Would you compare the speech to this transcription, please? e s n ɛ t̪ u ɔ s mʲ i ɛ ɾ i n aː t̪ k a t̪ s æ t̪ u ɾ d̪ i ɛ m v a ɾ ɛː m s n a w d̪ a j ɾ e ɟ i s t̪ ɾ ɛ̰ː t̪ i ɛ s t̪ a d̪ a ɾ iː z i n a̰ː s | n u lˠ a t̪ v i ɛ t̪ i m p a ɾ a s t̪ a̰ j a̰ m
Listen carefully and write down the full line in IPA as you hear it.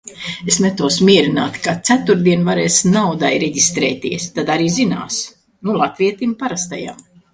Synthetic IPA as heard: e s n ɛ t̪ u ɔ s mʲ i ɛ ɾ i n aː t̪ k a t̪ s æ t̪ u ɾ d̪ i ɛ n v a ɾ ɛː s n a w d̪ a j ɾ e ɟ i s t̪ ɾ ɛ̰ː t̪ i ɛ s t̪ a d̪ a ɾ iː z i n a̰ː s | n u lˠ a t̪ v i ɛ t̪ i m p a ɾ a s t̪ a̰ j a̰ m

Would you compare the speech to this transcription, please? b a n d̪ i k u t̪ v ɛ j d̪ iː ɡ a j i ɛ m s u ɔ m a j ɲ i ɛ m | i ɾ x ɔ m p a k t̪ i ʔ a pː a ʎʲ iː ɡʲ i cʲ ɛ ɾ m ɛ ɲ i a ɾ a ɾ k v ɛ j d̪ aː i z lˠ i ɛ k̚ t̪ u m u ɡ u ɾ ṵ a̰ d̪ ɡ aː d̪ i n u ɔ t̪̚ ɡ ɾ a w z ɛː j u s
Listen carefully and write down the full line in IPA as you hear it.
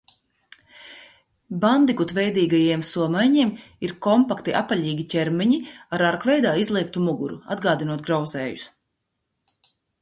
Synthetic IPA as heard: b a n d̪ i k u t̪ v ɛ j d̪ iː ɡ a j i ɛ m s u ɔ m a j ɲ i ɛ m | i ɾ k ɔ m p a k t̪ i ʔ a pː a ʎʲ iː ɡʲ i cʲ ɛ ɾ m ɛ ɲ i a ɾ a ɾ k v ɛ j d̪ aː i z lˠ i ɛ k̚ t̪ u m u ɡ u ɾ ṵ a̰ d̪ ɡ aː d̪ i n u ɔ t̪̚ ɡ ɾ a w z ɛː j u s

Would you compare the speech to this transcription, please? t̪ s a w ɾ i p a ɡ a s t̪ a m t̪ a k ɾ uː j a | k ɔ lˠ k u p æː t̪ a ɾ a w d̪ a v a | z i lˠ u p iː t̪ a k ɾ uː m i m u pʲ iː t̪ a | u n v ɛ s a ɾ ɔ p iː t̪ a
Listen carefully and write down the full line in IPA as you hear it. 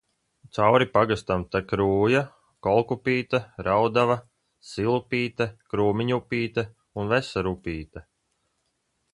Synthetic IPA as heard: t̪ s a w ɾ i p a ɡ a s t̪ a m t̪ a k ɾ uː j a | k ɔ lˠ k u p iː t̪ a ɾ a w d̪ a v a | s i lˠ u p iː t̪ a k ɾ uː m i ɲ u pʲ iː t̪ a | u n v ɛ s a ɾ u p iː t̪ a

